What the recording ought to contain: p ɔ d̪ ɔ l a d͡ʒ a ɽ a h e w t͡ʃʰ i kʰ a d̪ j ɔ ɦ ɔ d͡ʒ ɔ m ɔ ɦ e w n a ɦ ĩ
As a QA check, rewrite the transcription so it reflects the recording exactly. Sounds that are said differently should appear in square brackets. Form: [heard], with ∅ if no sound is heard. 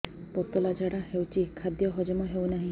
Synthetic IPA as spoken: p ɔ [t̪] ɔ l a d͡ʒ a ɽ a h e w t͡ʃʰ i kʰ a d̪ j ɔ ɦ ɔ d͡ʒ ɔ m ɔ ɦ e w n a ɦ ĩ